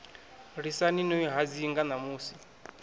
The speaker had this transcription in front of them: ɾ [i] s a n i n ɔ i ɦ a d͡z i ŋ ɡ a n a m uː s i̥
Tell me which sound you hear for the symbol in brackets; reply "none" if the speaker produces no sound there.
i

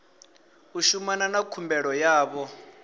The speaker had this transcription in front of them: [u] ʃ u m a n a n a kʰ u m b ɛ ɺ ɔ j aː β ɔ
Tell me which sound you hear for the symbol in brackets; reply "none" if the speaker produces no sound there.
u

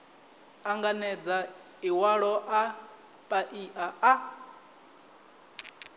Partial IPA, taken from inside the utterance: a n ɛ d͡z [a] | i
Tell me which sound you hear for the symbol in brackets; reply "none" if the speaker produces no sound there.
a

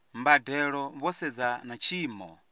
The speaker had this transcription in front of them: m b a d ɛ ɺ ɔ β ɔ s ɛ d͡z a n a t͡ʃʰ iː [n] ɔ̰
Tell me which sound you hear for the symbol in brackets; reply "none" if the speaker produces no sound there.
m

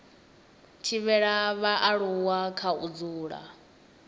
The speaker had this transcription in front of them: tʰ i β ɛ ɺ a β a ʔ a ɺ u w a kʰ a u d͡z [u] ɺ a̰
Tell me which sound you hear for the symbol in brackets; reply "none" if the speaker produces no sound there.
uː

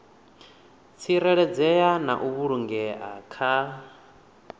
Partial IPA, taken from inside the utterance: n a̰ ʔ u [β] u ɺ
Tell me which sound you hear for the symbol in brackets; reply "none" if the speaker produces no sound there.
β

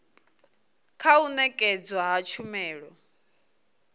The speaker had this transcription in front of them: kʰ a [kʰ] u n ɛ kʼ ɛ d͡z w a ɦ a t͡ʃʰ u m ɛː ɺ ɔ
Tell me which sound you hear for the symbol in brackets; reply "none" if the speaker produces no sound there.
none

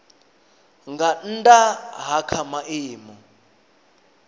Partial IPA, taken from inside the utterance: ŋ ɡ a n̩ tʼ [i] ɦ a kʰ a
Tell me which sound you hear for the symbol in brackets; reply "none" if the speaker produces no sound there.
a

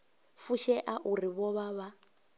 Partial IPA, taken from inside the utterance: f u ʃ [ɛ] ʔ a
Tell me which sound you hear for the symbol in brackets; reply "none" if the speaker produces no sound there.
ɛ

